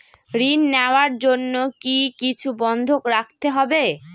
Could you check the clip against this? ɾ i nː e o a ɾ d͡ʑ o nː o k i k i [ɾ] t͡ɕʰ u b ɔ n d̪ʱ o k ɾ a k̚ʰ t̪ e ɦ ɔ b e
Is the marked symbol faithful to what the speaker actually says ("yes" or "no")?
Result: no